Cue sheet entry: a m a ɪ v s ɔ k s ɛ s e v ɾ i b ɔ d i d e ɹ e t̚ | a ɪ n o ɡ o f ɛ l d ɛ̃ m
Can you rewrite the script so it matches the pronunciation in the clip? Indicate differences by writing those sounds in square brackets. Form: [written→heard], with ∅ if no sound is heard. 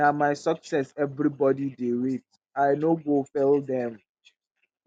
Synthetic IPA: a m a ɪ [v→∅] s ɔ k s ɛ s [e→ɛ] v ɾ i b ɔ d i d e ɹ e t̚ | a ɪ n o ɡ o f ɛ l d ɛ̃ m